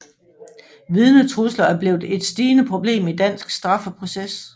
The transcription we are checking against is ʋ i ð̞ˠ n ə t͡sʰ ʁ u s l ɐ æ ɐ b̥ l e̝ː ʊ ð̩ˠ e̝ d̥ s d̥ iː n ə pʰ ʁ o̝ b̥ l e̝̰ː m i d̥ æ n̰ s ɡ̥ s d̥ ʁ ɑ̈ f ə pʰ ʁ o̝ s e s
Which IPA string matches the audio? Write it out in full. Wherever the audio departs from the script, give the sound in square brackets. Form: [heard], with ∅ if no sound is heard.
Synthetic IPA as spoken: ʋ i ð̞ˠ n ə t͡sʰ ʁ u s l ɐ æ ɐ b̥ l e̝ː ʊ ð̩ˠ e̝ d̥ s d̥ iː n ə pʰ ʁ o̝ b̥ l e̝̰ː m i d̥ æ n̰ s ɡ̥ s d̥ ʁ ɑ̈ f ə pʰ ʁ o̝ s e s